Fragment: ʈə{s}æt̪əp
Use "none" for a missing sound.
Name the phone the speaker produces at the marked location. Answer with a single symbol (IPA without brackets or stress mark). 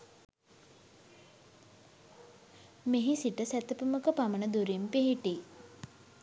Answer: s